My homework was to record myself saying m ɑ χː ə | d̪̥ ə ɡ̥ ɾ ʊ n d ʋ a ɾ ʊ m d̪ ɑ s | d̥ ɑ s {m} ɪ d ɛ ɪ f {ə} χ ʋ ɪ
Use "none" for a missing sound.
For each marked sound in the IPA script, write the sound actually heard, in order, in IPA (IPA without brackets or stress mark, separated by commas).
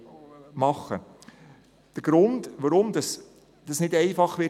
n, ɑ